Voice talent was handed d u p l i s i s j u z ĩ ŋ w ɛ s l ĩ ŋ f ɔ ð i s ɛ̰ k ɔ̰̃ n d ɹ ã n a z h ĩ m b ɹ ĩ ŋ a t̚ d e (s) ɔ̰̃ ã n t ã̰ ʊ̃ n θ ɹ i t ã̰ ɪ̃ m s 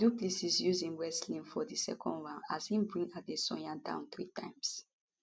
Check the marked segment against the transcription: correct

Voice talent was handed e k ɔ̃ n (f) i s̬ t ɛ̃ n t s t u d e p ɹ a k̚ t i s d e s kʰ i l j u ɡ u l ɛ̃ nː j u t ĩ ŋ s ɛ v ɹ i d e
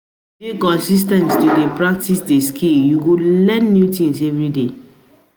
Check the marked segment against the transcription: incorrect: s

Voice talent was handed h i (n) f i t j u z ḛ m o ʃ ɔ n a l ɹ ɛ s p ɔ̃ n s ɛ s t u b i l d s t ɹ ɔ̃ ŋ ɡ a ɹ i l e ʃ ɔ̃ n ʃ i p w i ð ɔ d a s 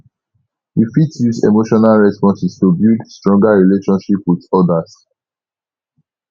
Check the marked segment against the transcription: incorrect: none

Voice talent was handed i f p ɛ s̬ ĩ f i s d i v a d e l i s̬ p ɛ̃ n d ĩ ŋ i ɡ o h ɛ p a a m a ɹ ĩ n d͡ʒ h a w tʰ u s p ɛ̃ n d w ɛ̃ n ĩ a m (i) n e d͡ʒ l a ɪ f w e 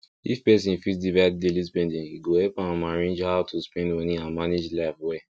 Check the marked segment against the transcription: incorrect: a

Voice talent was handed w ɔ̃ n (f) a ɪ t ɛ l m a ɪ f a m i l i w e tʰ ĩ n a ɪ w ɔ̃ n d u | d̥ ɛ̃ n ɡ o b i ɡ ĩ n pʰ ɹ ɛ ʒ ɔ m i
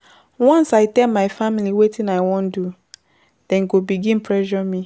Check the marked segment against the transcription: incorrect: s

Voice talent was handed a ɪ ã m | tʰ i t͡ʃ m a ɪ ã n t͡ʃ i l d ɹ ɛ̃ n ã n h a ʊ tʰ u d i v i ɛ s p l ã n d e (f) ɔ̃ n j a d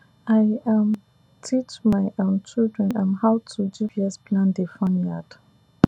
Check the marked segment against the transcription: correct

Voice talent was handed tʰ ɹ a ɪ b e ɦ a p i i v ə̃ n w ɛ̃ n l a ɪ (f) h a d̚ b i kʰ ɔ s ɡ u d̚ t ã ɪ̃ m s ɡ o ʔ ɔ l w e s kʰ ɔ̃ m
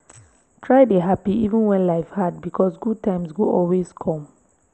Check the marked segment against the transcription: correct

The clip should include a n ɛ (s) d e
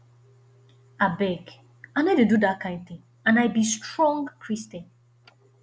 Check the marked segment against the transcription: incorrect: none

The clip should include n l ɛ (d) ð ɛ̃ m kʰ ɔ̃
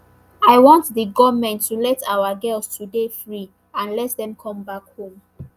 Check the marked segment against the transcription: incorrect: t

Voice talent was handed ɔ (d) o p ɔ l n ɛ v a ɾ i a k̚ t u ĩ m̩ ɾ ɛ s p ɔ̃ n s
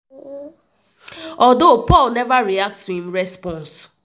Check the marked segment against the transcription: correct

